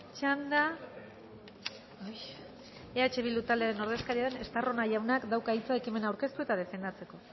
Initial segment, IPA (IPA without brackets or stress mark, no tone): t͡ʃ